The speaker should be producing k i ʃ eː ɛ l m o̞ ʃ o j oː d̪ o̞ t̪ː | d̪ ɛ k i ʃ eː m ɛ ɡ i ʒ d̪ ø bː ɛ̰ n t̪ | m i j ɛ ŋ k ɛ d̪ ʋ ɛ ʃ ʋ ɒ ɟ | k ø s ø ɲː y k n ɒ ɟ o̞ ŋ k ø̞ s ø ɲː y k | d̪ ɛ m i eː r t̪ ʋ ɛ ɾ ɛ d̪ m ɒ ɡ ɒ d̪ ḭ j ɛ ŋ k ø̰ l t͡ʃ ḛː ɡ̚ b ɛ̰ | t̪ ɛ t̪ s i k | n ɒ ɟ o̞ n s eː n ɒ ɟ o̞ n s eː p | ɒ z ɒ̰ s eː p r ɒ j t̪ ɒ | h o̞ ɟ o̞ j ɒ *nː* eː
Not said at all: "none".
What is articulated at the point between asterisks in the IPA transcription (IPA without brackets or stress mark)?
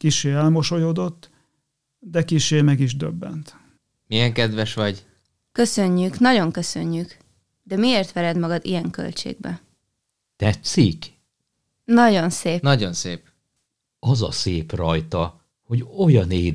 n